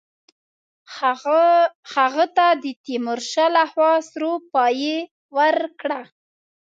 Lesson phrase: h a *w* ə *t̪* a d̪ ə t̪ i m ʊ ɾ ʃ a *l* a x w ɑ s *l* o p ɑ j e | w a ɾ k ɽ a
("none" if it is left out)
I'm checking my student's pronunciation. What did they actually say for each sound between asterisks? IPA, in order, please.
ɣ, t̪, l, ɾ

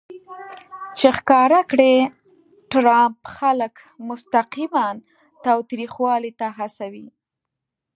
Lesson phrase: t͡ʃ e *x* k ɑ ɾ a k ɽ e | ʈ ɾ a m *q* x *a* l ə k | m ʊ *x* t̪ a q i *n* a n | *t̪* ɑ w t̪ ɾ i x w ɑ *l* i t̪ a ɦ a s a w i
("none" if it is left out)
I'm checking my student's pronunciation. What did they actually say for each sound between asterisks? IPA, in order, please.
x, p, a, s, m, t̪, l

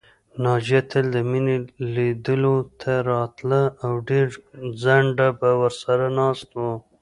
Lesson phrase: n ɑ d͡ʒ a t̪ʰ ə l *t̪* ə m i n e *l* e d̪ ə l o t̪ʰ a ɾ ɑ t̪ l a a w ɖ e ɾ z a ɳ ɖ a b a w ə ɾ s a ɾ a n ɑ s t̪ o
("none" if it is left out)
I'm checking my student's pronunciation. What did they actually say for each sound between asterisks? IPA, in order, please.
d̪, l

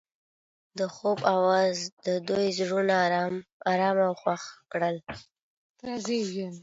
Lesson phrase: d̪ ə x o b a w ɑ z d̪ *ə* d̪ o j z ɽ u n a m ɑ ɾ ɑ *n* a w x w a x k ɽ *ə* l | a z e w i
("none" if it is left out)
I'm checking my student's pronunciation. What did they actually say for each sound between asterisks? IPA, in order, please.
ə, m, ə

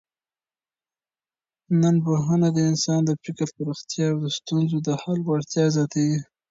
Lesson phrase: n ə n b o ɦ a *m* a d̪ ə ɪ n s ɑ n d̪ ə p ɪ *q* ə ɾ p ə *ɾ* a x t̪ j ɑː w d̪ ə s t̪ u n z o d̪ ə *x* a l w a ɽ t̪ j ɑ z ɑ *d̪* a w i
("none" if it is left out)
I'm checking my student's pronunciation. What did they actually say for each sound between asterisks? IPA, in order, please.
n, k, ɾ, h, t̪

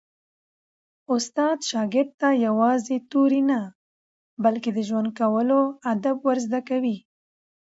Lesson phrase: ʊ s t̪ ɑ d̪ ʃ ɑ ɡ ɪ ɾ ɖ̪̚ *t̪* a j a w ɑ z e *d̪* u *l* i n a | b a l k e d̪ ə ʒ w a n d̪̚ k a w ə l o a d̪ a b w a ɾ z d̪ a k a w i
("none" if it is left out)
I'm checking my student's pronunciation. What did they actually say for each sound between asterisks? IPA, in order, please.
t̪, t̪, ɾ

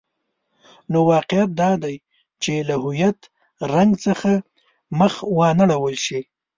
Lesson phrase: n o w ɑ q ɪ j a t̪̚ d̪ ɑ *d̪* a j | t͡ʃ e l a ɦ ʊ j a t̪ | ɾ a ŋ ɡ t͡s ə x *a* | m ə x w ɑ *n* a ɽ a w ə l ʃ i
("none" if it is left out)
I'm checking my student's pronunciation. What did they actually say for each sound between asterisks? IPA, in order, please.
d̪, a, n

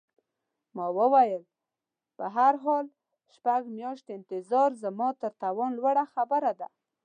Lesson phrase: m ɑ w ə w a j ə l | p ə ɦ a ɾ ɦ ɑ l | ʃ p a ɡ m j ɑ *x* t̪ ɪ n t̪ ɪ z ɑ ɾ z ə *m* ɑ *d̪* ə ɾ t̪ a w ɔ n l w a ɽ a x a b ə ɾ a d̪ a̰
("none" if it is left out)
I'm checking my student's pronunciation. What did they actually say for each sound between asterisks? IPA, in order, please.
ʃ, m, t̪

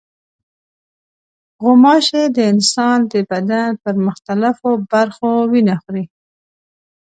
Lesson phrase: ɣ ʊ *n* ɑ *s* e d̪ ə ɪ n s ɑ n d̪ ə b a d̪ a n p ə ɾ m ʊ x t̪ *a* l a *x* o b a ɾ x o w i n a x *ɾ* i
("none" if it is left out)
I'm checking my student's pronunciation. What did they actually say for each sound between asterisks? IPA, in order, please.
m, ʃ, a, f, ɾ

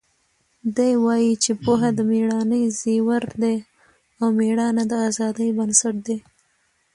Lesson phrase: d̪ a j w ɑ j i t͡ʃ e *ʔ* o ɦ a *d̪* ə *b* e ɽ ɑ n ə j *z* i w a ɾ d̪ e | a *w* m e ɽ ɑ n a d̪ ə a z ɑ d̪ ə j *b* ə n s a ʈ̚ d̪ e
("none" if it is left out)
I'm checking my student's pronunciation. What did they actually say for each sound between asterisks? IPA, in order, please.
p, d̪, m, z, w, b

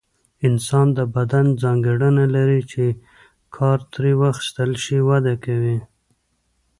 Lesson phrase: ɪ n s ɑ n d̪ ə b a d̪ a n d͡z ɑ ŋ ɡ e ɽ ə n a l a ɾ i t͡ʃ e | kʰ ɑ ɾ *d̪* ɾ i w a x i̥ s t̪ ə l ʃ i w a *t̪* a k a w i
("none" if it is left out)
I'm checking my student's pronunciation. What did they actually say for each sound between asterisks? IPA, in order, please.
t̪, d̪

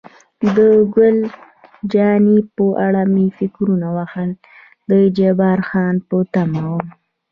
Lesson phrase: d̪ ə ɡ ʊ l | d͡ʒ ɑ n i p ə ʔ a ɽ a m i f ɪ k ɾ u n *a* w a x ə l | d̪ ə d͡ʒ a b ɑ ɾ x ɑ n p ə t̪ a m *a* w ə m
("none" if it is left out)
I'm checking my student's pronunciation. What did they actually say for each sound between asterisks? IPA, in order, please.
a, a

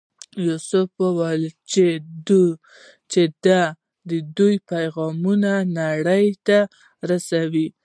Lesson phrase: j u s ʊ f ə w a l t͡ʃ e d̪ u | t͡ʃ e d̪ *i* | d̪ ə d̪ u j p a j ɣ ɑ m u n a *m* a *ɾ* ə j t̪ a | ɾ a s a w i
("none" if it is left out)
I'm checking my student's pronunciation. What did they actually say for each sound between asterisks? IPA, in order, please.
a, n, ɽ

